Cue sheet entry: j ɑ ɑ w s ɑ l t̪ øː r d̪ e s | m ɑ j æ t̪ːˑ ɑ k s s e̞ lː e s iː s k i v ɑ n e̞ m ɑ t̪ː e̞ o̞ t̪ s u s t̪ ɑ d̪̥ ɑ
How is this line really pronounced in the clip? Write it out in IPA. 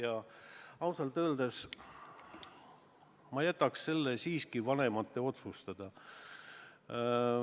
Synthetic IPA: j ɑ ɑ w s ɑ l t̪ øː l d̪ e s | m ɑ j æ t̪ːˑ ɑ k s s e̞ lː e s iː s k i v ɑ n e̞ m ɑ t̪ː e̞ o̞ t̪ s u s t̪ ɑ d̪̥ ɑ